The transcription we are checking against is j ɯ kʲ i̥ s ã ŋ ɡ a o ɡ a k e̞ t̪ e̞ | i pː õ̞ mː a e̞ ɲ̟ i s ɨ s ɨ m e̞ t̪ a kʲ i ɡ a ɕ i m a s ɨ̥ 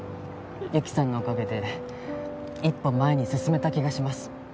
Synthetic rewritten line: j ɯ kʲ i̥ s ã ŋ ɡ a o k a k e̞ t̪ e̞ | i pː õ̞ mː a e̞ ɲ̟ i s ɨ s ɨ m e̞ t̪ a kʲ i ɡ a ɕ i m a s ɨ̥